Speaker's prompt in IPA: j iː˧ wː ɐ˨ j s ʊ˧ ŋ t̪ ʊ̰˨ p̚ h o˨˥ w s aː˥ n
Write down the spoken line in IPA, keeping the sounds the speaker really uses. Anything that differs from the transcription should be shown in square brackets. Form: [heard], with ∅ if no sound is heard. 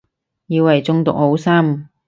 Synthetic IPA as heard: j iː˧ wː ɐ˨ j [t͡s] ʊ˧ ŋ t̪ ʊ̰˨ [k̚] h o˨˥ w s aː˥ [m]